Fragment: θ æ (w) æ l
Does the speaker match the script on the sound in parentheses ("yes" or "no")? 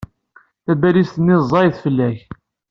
no